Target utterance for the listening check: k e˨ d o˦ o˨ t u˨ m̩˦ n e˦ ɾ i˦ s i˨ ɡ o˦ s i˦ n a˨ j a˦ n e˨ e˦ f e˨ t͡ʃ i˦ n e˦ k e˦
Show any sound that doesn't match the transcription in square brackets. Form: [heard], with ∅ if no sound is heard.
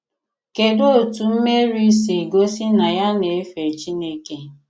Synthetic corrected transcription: k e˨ d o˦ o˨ t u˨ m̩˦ [m] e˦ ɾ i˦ s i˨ ɡ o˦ s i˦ n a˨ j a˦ n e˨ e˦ f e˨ t͡ʃ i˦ n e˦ k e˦